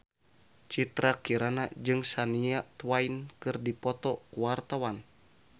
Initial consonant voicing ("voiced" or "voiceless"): voiceless